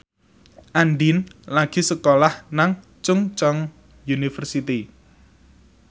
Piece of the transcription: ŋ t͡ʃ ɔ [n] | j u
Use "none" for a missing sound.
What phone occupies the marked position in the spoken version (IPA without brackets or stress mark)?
ŋ